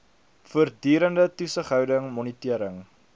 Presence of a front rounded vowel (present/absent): present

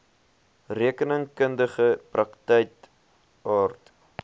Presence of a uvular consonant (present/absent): present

